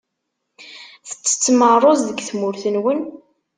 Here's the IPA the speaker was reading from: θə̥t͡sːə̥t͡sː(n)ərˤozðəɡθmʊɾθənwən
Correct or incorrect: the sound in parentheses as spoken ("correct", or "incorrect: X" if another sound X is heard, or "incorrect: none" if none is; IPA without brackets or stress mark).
incorrect: m